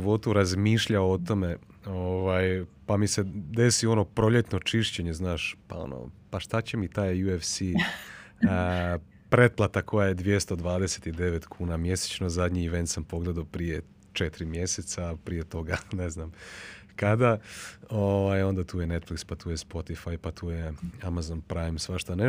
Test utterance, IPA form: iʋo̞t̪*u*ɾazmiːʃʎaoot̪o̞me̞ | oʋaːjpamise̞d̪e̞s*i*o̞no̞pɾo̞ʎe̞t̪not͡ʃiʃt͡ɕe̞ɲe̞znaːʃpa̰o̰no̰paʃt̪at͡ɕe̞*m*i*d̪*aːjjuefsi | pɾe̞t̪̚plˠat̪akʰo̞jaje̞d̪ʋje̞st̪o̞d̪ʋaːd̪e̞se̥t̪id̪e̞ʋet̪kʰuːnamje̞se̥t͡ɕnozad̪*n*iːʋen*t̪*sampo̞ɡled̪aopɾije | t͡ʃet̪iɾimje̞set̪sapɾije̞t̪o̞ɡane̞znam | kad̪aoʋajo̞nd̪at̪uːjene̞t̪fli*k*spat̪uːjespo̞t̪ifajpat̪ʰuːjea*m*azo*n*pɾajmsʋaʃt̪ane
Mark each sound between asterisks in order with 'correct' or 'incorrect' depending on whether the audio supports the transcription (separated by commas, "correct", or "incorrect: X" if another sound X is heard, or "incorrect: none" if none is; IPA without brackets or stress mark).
correct, correct, correct, incorrect: t̪, incorrect: ɲ, correct, correct, correct, correct